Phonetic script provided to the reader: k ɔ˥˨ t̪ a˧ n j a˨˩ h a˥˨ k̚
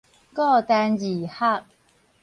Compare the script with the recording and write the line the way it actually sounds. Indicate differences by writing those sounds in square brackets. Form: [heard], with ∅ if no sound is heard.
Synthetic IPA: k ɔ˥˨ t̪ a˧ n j [i˨˩] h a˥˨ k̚